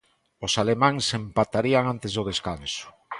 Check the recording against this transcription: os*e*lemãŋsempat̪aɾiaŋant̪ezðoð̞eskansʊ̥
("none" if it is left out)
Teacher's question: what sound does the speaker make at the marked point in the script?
a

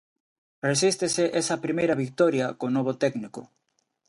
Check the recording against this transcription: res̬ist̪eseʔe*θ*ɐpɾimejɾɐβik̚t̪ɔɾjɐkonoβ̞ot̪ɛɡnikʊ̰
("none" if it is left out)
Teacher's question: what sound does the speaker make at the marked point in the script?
s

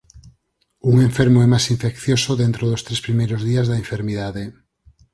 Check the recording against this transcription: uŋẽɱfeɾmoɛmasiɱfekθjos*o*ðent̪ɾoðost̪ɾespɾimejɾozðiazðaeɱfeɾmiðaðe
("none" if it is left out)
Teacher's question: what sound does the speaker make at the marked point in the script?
o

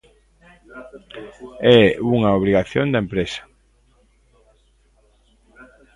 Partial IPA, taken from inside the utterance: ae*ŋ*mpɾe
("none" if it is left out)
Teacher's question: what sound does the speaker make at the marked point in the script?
none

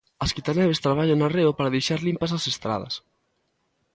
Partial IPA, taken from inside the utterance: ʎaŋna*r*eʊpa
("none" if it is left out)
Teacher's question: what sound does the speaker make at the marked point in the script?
r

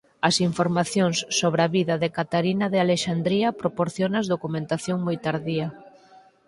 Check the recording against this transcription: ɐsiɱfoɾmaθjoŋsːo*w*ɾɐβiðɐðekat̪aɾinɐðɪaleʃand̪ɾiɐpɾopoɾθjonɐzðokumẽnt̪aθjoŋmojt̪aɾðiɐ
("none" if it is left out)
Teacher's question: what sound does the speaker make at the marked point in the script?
β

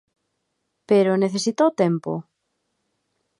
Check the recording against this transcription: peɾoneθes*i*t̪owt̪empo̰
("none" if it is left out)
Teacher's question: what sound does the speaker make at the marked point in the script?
i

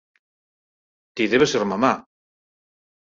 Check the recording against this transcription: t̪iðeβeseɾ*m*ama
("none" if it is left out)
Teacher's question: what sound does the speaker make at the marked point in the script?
m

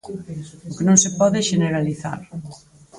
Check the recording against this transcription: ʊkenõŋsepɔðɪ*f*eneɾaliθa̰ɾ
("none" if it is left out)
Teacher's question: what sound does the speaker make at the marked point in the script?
ʃ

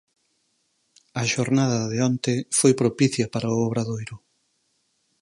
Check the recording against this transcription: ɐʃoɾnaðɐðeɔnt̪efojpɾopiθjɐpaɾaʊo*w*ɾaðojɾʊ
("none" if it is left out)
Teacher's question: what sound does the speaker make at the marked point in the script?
β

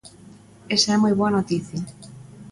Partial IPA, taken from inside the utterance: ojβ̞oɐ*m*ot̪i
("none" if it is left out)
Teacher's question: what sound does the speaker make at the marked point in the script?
n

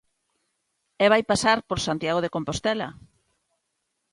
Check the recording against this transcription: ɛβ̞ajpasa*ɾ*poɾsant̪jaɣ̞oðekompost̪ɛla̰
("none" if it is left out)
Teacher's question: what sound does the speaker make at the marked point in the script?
ɾ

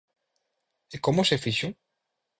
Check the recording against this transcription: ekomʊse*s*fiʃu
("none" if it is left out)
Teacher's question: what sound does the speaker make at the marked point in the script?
none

